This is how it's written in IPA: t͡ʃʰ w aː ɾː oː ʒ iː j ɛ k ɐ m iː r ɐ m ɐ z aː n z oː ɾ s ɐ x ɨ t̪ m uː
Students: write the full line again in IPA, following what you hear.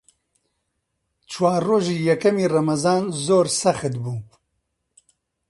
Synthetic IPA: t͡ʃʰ w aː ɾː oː ʒ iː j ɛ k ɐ m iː r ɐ m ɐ z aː n z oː ɾ s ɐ x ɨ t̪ b uː